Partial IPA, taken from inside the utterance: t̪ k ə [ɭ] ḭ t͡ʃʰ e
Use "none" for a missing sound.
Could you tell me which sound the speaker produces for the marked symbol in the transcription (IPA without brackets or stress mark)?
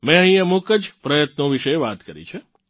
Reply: ɾ